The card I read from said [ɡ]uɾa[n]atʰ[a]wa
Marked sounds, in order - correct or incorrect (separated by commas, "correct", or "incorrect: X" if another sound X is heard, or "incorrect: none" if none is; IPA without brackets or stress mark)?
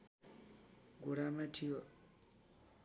correct, incorrect: m, incorrect: i